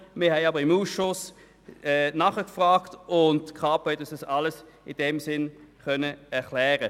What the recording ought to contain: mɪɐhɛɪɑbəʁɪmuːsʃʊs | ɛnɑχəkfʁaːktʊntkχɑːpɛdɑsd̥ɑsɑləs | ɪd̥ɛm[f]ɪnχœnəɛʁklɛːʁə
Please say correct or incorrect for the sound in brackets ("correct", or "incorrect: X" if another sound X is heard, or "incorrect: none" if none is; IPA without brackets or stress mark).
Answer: incorrect: s